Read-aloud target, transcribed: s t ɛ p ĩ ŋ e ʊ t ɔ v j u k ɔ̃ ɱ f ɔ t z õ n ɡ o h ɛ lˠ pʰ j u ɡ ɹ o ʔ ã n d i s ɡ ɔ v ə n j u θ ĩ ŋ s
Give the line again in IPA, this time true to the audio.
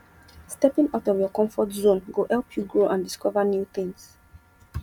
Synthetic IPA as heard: s t ɛ p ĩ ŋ a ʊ t ɔ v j ɔ k ɔ̃ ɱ f ɔ t z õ n ɡ o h ɛ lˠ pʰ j u ɡ ɹ o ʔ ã n d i s k ɔ v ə n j u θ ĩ ŋ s